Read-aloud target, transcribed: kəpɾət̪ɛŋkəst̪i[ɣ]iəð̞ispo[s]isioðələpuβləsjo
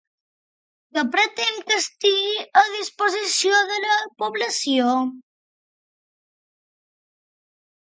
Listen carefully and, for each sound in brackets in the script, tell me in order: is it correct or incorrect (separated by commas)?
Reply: correct, incorrect